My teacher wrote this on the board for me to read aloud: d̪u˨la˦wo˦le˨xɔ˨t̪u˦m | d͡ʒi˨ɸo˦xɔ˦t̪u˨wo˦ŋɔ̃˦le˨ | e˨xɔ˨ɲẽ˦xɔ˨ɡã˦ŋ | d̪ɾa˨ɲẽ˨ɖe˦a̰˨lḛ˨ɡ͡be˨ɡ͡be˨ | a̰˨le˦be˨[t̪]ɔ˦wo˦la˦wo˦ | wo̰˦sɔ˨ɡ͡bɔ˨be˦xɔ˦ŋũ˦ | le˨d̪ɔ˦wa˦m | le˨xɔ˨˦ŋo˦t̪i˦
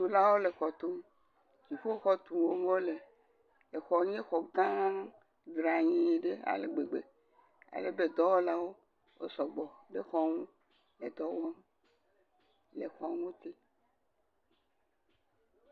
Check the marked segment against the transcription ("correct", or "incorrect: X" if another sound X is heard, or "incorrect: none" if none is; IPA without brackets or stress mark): incorrect: d̪